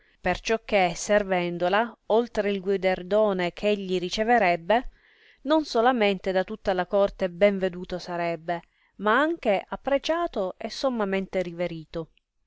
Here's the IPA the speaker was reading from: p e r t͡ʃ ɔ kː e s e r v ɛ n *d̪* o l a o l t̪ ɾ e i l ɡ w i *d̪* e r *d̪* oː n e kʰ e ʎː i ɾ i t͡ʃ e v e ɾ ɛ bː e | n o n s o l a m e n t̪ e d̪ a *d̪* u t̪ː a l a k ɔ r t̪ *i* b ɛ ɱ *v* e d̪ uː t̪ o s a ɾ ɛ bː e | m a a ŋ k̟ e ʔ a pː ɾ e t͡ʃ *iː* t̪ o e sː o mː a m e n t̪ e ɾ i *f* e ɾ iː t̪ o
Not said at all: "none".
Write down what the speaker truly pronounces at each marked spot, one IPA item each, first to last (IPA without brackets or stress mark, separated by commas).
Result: d̪, d̪, d̪, t̪, e, v, aː, v